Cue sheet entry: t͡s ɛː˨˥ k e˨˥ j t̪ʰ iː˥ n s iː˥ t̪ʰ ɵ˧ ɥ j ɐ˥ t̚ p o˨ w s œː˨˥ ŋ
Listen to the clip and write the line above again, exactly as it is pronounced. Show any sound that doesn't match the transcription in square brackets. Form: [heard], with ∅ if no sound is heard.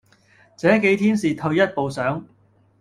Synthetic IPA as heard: t͡s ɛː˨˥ k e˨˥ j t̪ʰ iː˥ n s [iː˨] t̪ʰ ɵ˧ ɥ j ɐ˥ t̚ p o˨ w s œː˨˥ ŋ